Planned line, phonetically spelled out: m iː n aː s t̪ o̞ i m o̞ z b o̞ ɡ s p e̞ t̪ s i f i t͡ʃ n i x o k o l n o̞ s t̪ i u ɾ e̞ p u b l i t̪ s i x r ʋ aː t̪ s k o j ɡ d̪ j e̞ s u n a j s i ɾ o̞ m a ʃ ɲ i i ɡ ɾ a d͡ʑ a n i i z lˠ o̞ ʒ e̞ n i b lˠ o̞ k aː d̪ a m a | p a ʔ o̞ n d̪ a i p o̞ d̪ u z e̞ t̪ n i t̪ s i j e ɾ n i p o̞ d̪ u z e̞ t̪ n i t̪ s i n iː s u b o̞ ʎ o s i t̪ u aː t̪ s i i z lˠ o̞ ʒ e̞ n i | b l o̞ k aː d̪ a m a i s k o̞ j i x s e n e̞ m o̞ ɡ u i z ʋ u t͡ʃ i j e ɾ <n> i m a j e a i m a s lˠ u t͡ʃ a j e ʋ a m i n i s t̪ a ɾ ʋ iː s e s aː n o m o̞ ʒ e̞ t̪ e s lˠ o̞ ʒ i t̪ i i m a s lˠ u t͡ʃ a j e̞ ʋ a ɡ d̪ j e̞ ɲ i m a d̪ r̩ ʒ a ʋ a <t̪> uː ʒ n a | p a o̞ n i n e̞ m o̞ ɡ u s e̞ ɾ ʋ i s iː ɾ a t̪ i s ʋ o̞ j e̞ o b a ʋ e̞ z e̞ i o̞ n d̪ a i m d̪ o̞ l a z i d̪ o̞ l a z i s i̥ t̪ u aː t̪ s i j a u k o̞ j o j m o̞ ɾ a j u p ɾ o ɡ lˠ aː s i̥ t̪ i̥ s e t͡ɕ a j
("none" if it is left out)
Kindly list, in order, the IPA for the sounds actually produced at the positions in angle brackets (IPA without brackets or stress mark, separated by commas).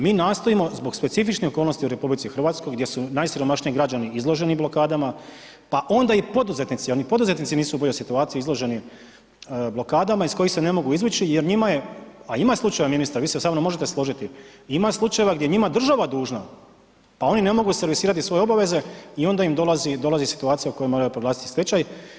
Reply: ɲ, d̪